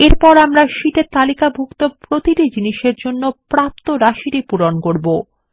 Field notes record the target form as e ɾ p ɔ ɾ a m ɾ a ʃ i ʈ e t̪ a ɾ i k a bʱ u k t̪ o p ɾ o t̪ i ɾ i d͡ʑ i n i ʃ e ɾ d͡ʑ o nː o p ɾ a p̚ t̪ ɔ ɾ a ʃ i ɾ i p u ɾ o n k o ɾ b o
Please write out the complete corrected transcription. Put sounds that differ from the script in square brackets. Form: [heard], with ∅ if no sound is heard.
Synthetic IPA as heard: e ɾ p ɔ ɾ a m ɾ a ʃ i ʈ e t̪ a [l] i k a bʱ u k t̪ o p ɾ o t̪ i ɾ i d͡ʑ i n i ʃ e ɾ d͡ʑ o nː o p ɾ a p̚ t̪ [o] ɾ a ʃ i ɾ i p u ɾ o n k o ɾ b o